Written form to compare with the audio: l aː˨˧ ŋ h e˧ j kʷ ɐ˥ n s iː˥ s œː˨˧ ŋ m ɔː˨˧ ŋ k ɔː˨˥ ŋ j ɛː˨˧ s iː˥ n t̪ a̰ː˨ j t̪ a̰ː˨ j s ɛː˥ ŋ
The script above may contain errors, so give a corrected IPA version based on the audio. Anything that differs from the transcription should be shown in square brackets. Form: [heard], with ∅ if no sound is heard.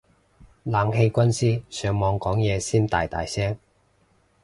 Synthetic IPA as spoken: l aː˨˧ ŋ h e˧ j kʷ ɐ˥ n s iː˥ s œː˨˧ ŋ m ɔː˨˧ ŋ k ɔː˨˥ ŋ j ɛː˨˧ s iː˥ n t̪ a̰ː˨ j t̪ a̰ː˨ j s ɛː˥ ŋ